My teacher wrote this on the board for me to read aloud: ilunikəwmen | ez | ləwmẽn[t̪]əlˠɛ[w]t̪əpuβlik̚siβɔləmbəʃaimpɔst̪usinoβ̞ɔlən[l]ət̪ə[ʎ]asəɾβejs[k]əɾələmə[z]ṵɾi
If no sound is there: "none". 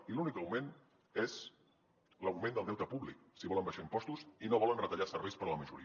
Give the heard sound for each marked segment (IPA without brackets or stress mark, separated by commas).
d̪, w, r, ʎ, p, ʒ